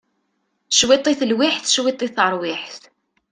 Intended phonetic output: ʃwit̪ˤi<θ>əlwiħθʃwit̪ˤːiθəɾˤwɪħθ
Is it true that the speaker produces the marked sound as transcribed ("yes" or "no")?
yes